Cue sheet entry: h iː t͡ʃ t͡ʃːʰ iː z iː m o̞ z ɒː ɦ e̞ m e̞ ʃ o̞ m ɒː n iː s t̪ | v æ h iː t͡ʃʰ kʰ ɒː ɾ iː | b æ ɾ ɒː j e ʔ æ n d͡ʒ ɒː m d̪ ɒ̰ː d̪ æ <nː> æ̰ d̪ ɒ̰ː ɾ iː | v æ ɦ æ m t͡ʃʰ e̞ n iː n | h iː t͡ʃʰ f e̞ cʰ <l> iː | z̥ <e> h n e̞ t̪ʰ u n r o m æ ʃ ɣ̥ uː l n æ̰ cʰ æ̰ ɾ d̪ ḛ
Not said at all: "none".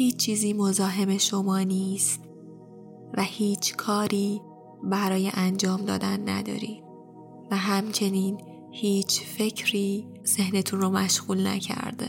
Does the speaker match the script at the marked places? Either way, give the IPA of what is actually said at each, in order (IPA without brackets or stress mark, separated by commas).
nː, ɾ, e